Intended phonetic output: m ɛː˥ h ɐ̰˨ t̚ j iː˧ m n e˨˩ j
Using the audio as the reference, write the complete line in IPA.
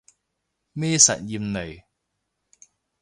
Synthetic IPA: m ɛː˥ s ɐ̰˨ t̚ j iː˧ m n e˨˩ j